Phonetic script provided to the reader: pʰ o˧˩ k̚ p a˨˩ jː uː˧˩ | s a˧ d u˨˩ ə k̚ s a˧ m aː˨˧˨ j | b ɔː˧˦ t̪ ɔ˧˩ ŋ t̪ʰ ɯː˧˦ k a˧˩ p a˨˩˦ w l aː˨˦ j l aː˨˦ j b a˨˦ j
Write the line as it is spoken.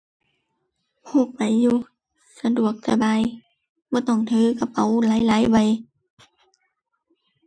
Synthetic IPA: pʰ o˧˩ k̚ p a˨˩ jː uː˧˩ | s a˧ d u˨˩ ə k̚ s a˧ b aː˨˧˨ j | b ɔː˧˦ t̪ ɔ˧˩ ŋ t̪ʰ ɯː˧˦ k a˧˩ p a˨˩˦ w l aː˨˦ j l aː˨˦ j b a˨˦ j